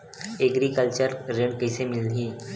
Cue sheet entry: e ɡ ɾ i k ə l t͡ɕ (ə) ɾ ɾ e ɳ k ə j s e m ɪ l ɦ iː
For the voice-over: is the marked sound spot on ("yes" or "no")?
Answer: yes